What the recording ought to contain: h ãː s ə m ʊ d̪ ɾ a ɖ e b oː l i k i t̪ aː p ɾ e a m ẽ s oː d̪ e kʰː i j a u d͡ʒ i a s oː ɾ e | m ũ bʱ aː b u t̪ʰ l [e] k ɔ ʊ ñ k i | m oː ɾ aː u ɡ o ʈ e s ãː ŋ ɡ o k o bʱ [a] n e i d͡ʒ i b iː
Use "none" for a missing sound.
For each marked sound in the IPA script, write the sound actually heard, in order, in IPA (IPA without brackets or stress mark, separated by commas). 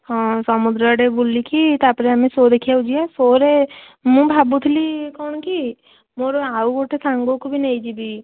i, i